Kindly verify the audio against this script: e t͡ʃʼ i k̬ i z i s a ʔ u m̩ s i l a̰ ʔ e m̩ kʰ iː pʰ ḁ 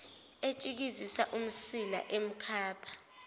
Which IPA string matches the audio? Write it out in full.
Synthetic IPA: e t͡ʃʼ i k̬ i z i s a ʔ u m̩ s i l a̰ ʔ e m̩ kʰ aː pʰ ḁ

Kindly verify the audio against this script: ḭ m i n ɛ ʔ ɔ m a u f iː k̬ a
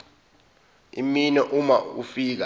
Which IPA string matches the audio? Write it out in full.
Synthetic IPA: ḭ m i n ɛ ʔ u m a u f iː k̬ a

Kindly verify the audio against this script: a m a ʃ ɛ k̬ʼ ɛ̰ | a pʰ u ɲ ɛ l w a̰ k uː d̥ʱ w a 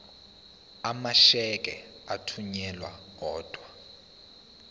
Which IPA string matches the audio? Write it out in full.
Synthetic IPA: a m a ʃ ɛ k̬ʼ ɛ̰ | a tʰ u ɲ ɛ l w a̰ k ɔː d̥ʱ w a

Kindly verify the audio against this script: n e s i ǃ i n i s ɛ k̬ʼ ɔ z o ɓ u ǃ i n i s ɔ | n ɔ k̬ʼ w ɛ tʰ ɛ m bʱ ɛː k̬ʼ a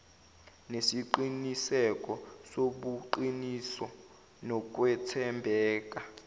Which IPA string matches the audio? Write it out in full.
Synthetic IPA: n e s i ǃ i n i s ɛ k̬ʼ ɔ s o ɓ u ǃ i n i s ɔ | n ɔ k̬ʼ w ɛ tʰ ɛ m bʱ ɛː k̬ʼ a

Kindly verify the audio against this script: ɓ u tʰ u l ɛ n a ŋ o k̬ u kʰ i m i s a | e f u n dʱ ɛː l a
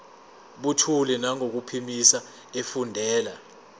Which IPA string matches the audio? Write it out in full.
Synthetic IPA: ɓ u tʰ u l ɛ n a ŋ o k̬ u pʰ i m i s a | e f u n dʱ ɛː l a

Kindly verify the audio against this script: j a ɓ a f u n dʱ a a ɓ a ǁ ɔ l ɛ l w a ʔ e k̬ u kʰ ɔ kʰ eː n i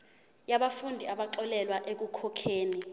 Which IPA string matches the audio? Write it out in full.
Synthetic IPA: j a ɓ a f u n dʱ i a ɓ a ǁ ɔ l ɛ l w a ʔ e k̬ u kʰ ɔ kʰ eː n i

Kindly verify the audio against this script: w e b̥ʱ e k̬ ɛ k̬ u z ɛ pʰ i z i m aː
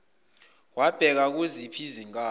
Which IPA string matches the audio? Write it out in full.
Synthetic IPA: w a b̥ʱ ɛ k̬ a k̬ u z i pʰ i z i ŋ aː

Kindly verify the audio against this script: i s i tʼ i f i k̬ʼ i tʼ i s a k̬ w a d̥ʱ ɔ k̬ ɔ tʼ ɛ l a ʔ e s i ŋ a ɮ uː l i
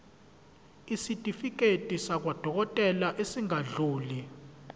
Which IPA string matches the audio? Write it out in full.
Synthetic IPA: i s i tʼ i f i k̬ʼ e tʼ i s a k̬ w a d̥ʱ ɔ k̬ ɔ tʼ ɛ l a ʔ e s i ŋ a ɮ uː l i

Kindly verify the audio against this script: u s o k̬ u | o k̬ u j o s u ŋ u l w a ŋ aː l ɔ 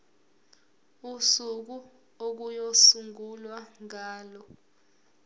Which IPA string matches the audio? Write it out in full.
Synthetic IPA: u s u k̬ u | o k̬ u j o s u ŋ u l w a ŋ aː l ɔ

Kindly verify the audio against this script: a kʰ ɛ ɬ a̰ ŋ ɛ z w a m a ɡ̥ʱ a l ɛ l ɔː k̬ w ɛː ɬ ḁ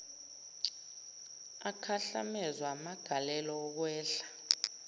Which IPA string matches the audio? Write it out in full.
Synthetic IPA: a kʰ a ɬ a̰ m ɛ z w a m a ɡ̥ʱ a l ɛ l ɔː k̬ w ɛː ɬ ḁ

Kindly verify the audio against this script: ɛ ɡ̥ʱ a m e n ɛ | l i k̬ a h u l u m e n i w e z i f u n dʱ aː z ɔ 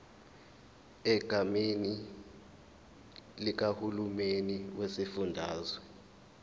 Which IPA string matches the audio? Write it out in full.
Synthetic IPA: ɛ ɡ̥ʱ a m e n i | l i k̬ a h u l u m e n i w e s i f u n dʱ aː z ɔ

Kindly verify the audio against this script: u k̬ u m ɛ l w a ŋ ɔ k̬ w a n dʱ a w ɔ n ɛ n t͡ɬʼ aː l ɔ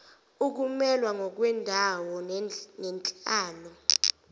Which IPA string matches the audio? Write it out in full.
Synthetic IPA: u k̬ u m ɛ l w a ŋ ɔ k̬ w ɛ n dʱ a w ɔ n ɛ n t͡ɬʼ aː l ɔ

